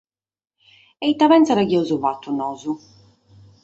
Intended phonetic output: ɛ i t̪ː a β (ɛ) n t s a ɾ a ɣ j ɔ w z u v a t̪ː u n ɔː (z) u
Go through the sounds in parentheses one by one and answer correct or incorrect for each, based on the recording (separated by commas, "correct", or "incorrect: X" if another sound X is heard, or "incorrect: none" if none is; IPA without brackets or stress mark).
correct, correct